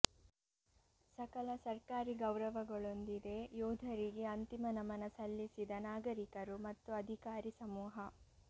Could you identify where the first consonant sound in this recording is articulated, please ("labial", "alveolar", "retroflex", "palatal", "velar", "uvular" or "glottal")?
alveolar